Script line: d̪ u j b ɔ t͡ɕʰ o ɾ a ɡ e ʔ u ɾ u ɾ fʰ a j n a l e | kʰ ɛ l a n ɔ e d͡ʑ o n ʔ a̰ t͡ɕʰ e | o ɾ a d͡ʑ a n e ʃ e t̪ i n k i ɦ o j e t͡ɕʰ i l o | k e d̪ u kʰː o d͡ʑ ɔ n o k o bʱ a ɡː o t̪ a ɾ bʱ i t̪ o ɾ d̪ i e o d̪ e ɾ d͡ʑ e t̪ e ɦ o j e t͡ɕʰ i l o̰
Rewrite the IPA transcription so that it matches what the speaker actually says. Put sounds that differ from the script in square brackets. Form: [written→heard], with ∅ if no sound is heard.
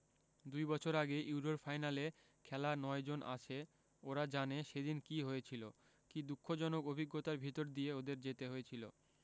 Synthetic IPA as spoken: d̪ u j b ɔ t͡ɕʰ o ɾ a ɡ e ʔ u ɾ [u→o] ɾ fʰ a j n a l e | kʰ ɛ l a n ɔ e d͡ʑ o n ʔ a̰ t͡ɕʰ e | o ɾ a d͡ʑ a n e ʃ e [t̪→d̪] i n k i ɦ o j e t͡ɕʰ i l o | k [e→i] d̪ u kʰː o d͡ʑ ɔ n o k o bʱ [a→i] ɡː o t̪ a ɾ bʱ i t̪ o ɾ d̪ i e o d̪ e ɾ d͡ʑ e t̪ e ɦ o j e t͡ɕʰ i l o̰